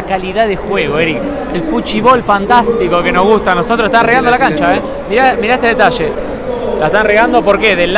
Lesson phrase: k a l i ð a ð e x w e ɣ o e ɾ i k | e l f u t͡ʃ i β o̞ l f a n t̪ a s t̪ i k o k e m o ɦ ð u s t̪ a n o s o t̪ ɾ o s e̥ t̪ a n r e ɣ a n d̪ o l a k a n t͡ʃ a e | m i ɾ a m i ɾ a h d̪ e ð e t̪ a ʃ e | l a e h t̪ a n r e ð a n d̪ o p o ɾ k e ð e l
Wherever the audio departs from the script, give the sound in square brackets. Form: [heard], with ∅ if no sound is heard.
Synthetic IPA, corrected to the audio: k a l i ð a ð e x w e ɣ o e ɾ i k | e l f u t͡ʃ i β o̞ l f a n t̪ a s t̪ i k o k e [n] o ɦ [ɣ] u s t̪ a n o s o t̪ ɾ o s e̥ t̪ a n r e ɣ a n d̪ o l a k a n t͡ʃ a e | m i ɾ a m i ɾ a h [t̪] e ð e t̪ a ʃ e | l a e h t̪ a n r e [ɣ] a n d̪ o p o ɾ k e ð e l